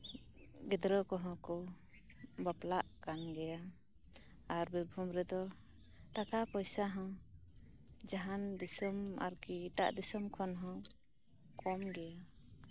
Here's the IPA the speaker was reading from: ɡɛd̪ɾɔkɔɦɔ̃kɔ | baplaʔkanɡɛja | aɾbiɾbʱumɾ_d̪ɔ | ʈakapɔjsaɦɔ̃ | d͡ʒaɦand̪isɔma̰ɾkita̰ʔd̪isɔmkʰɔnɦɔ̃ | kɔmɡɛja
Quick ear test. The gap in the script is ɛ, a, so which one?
ɛ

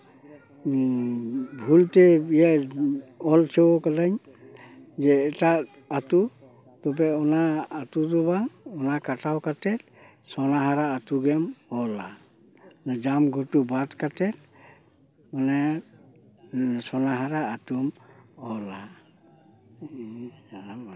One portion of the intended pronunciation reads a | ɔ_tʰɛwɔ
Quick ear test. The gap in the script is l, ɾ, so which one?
l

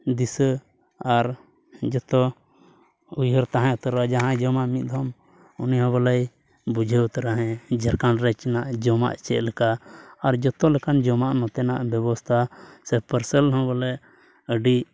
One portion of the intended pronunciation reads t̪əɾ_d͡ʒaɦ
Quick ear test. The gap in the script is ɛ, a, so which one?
a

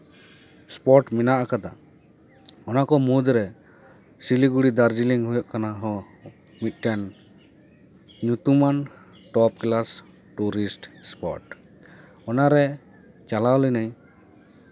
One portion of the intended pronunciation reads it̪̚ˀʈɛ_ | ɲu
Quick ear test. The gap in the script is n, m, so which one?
n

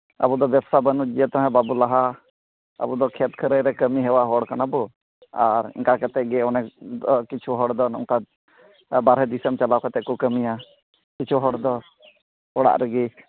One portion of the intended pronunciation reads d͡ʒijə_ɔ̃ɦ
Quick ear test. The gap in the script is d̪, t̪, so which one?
t̪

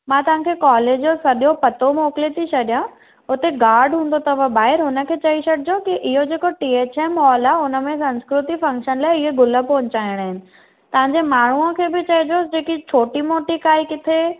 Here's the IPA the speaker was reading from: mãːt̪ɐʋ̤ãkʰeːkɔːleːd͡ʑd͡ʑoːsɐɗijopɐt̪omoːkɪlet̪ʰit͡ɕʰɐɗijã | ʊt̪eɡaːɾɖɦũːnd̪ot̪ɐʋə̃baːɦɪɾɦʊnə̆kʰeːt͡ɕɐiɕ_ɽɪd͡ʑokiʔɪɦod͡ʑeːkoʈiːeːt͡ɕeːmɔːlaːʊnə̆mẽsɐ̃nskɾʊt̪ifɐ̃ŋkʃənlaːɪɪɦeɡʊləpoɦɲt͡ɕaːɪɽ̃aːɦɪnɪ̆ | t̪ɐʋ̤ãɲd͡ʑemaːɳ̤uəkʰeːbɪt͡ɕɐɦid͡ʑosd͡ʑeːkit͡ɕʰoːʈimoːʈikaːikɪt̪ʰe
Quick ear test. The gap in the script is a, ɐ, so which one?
ɐ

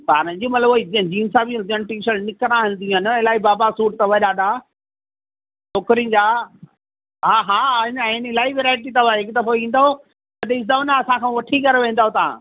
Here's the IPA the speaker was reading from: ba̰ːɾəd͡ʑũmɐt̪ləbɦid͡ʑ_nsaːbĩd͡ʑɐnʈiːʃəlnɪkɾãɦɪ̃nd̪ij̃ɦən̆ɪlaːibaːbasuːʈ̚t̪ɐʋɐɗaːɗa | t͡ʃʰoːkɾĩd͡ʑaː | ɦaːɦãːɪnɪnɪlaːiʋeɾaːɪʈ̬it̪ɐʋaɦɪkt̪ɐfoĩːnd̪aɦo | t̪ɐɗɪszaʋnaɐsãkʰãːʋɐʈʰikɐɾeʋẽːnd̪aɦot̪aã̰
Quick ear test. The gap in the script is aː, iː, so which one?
iː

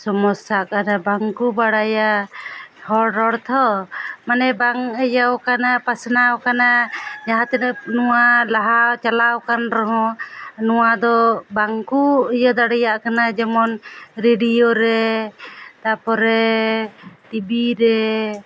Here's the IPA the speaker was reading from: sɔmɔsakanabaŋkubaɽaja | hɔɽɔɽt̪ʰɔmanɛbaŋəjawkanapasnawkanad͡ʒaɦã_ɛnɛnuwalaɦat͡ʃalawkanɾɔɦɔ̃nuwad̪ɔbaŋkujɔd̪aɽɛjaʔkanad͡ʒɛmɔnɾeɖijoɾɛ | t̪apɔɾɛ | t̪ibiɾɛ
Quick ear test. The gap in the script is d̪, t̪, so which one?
t̪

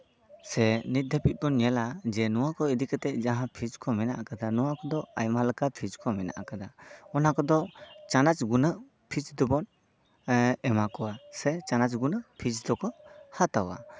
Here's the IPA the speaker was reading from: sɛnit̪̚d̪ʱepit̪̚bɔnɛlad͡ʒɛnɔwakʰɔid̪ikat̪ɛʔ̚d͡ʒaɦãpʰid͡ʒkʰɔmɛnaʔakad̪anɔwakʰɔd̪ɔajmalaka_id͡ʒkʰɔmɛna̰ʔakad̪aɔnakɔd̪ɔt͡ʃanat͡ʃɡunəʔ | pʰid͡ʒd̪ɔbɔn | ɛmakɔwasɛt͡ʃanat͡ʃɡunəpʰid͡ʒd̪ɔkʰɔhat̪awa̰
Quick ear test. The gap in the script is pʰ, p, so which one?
pʰ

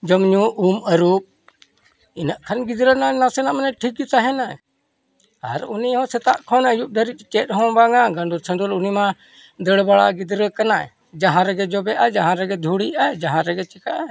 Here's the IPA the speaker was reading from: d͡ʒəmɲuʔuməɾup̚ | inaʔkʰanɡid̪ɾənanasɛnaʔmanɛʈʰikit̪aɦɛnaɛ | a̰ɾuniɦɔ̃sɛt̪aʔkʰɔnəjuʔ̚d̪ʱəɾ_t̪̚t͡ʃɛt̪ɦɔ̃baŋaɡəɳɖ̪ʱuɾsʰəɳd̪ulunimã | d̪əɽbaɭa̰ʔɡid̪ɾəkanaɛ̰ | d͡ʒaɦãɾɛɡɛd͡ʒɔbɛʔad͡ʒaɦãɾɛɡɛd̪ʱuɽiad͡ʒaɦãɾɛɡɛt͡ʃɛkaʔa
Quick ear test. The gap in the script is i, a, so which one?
i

